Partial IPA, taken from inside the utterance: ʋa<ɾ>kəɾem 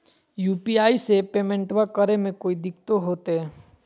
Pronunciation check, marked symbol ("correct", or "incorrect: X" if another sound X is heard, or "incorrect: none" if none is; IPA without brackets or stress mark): incorrect: none